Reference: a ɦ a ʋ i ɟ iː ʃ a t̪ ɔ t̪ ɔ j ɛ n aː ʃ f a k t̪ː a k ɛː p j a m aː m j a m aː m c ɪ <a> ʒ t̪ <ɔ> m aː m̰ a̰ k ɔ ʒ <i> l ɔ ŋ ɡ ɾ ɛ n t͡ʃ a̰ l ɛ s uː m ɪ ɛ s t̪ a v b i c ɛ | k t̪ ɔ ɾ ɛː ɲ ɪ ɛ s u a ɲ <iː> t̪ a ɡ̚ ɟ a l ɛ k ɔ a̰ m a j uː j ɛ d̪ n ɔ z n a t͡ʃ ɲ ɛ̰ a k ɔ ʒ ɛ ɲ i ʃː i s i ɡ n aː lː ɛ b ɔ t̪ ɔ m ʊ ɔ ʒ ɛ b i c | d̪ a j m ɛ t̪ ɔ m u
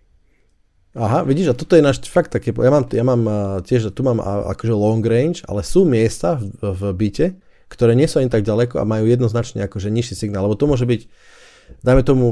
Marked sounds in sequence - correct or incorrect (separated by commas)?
incorrect, incorrect, incorrect, incorrect